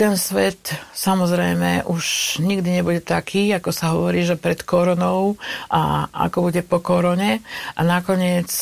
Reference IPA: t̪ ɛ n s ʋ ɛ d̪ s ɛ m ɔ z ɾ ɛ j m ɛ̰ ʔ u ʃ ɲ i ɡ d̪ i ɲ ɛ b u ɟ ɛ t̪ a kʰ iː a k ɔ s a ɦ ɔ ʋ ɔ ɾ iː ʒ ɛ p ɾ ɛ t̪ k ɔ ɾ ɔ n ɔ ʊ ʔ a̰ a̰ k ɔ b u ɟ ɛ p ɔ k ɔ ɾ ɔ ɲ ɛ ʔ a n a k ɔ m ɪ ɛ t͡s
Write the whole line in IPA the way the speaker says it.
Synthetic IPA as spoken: t̪ ɛ n s ʋ ɛ t̪ s a m ɔ z ɾ ɛ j m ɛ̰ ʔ u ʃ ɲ i ɡ d̪ i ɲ ɛ b u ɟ ɛ t̪ a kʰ iː a k ɔ s a ɦ ɔ ʋ ɔ ɾ iː ʒ ɛ p ɾ ɛ t̪ k ɔ ɾ ɔ n ɔ ʊ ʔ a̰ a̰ k ɔ b u ɟ ɛ p ɔ k ɔ ɾ ɔ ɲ ɛ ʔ a n a k ɔ ɲ ɪ ɛ t͡s